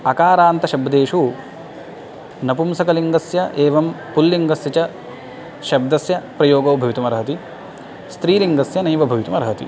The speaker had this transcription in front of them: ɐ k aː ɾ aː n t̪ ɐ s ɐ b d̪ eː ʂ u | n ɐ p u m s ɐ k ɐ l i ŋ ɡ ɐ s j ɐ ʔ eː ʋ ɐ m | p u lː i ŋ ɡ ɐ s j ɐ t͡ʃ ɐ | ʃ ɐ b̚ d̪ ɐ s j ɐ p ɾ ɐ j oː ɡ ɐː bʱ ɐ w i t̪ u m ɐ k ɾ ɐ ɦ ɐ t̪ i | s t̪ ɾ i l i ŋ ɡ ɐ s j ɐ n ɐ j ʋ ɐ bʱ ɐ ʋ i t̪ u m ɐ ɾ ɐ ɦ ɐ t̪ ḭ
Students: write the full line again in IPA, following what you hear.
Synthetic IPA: ɐ k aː ɾ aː n t̪ ɐ ʃ ɐ b d̪ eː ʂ u | n ɐ p u m s ɐ k ɐ l i ŋ ɡ ɐ s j ɐ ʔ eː ʋ ɐ m | p u lː i ŋ ɡ ɐ s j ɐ t͡ʃ ɐ | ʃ ɐ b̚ d̪ ɐ s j ɐ p ɾ ɐ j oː ɡ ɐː bʱ ɐ ʋ i t̪ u m ɐ ɾ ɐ ɦ ɐ t̪ i | s t̪ ɾ iː l i ŋ ɡ ɐ s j ɐ n ɐ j ʋ ɐ bʱ ɐ ʋ i t̪ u m ɐ ɾ ɐ ɦ ɐ t̪ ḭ

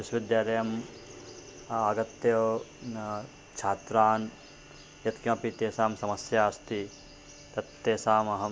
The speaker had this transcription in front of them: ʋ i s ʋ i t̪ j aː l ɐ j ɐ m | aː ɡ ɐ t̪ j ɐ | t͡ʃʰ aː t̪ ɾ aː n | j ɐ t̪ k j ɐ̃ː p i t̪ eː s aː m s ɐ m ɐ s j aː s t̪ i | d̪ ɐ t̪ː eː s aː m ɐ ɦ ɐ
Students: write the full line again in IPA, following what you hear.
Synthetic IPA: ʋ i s ʋ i d̪ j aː l ɐ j ɐ m | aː ɡ ɐ t̪ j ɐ | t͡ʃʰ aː t̪ ɾ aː n | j ɐ t̪ k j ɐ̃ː p i t̪ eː s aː m s ɐ m ɐ s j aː s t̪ i | t̪ ɐ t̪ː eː s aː m ɐ ɦ ɐ

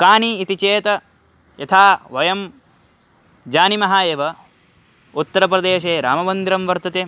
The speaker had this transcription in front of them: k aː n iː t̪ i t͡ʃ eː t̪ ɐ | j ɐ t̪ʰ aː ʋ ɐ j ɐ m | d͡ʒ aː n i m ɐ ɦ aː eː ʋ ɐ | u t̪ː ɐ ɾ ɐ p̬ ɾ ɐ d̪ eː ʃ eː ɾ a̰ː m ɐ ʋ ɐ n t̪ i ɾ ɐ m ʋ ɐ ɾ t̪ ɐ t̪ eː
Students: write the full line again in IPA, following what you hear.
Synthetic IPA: k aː n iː t̪ i t͡ʃ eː t̪ ɐ | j ɐ t̪ʰ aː ʋ ɐ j ɐ m | d͡ʒ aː n i m ɐ ɦ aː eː ʋ ɐ | u t̪ː ɐ ɾ ɐ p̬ ɾ ɐ d̪ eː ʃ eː ɾ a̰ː m ɐ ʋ ɐ n d̪ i ɾ ɐ m ʋ ɐ ɾ t̪ ɐ t̪ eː

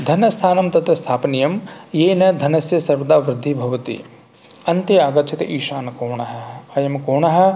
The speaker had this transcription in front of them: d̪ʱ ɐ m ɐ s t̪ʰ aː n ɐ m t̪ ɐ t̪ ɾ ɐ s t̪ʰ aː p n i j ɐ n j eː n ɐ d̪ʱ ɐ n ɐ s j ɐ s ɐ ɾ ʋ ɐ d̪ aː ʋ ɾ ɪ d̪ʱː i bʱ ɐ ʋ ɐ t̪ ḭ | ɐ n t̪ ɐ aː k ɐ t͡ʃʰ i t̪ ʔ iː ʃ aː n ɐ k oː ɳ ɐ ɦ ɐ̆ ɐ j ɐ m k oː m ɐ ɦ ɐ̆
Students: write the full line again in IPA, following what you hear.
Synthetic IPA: d̪ʱ ɐ n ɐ s t̪ʰ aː n ɐ m t̪ ɐ t̪ ɾ ɐ s t̪ʰ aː p n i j ɐ m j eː n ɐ d̪ʱ ɐ n ɐ s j ɐ s ɐ ɾ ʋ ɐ d̪ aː ʋ ɾ ɪ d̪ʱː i bʱ ɐ ʋ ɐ t̪ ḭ | ɐ n t̪ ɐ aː ɡ ɐ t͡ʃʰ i t̪ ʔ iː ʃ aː n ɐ k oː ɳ ɐ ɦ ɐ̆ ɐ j ɐ m k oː ɳ ɐ ɦ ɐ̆

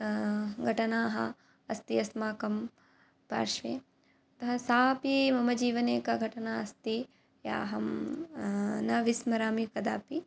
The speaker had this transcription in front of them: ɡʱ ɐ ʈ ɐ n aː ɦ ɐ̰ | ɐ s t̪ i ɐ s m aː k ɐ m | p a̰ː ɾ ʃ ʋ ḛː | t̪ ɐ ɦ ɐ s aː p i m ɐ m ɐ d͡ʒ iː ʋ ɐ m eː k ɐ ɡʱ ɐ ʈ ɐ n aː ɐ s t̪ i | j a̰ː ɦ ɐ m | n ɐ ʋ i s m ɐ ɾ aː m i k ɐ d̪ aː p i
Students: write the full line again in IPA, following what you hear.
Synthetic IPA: ɡʱ ɐ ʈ ɐ n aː ɦ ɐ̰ | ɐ s t̪ i ɐ s m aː k ɐ m | p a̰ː ɾ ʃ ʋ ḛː | t̪ ɐ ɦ ɐ s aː p i m ɐ m ɐ d͡ʒ iː ʋ ɐ n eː k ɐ ɡʱ ɐ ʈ ɐ n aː ɐ s t̪ i | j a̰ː ɦ ɐ m | n ɐ ʋ i s m ɐ ɾ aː m i k ɐ d̪ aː p i

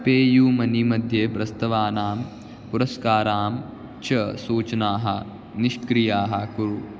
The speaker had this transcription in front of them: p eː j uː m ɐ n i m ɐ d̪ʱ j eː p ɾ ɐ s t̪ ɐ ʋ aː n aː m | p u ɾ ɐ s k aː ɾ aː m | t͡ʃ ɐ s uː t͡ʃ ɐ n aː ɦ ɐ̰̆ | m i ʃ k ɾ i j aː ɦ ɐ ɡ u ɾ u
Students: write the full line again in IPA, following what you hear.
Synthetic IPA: p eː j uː m ɐ n i m ɐ d̪ʱ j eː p ɾ ɐ s t̪ ɐ ʋ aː n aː m | p u ɾ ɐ s k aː ɾ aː m | t͡ʃ ɐ s uː t͡ʃ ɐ n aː ɦ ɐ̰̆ | n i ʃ k ɾ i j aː ɦ ɐ k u ɾ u

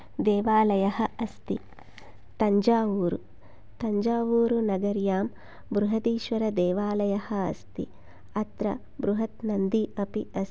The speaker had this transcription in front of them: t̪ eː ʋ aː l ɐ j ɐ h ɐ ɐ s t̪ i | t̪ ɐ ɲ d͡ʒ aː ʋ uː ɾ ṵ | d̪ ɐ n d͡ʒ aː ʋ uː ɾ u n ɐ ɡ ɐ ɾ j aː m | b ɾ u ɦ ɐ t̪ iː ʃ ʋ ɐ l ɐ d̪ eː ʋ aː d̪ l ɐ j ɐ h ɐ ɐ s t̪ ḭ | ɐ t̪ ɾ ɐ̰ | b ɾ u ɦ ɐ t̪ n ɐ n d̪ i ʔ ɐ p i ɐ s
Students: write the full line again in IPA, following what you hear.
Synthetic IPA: d̪ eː ʋ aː l ɐ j ɐ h ɐ ɐ s t̪ i | t̪ ɐ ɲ d͡ʒ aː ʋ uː ɾ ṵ | t̪ ɐ ɲ d͡ʒ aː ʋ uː ɾ u n ɐ ɡ ɐ ɾ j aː m | b ɾ u ɦ ɐ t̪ iː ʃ ʋ ɐ ɾ ɐ d̪ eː ʋ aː l ɐ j ɐ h ɐ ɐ s t̪ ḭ | ɐ t̪ ɾ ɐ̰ | b ɾ u ɦ ɐ t̪ n ɐ n d̪ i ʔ ɐ p i ɐ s

